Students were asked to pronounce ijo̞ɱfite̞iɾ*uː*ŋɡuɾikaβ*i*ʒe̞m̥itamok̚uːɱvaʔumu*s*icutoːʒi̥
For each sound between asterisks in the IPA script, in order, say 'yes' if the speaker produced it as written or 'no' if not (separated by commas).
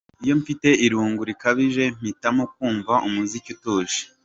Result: yes, yes, no